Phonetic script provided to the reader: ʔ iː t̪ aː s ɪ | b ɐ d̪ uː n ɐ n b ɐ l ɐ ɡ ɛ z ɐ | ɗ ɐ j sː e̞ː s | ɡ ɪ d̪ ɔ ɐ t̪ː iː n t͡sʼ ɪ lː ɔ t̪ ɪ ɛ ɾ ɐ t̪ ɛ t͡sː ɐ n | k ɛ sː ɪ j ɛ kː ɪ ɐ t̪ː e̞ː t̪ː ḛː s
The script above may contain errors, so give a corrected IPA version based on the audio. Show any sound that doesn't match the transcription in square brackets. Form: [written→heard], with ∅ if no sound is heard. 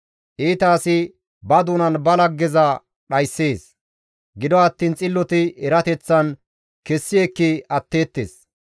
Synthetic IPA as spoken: ʔ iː t̪ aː s ɪ | b ɐ d̪ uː n ɐ n b ɐ l ɐ ɡ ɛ z ɐ | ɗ ɐ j sː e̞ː s | ɡ ɪ d̪ ɔ ɐ t̪ː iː n t͡sʼ ɪ lː ɔ t̪ ɪ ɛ ɾ ɐ t̪ ɛ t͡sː ɐ n | k ɛ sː ɪ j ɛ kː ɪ ɐ t̪ː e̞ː t̪ː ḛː s